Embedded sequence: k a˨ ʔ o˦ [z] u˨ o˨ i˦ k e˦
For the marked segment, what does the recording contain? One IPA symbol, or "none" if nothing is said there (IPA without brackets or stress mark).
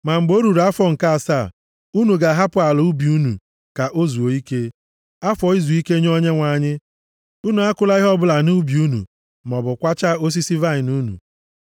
z